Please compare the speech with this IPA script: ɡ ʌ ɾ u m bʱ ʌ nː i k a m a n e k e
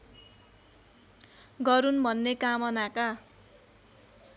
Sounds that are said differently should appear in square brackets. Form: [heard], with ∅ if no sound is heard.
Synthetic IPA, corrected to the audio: ɡ ʌ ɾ u [n] bʱ ʌ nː [e] k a m [ʌ] n [a] k [a]